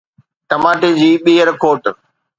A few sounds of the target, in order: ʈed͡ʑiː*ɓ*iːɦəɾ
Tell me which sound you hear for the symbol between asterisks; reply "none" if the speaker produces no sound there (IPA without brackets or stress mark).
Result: ɓ